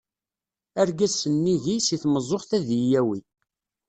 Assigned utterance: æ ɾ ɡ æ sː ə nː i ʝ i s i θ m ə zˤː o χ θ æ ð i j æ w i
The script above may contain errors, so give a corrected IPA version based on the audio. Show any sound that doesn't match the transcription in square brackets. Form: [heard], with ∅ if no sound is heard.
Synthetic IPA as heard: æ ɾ ɡ æ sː ə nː i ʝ i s i θ m ə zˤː o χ θ æ ð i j æ w i